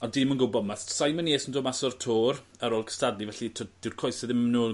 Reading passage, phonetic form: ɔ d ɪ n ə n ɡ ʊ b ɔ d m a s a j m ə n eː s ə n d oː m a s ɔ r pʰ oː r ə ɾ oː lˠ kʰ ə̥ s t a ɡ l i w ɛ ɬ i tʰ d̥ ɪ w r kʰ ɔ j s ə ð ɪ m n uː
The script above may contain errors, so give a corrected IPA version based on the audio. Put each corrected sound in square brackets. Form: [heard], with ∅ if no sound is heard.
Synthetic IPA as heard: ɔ d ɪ [m] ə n ɡ ʊ b ɔ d m a s a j m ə n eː s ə n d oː m a s ɔ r [tʰ] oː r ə ɾ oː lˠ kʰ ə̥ s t a [d] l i [v] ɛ ɬ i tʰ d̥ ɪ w r kʰ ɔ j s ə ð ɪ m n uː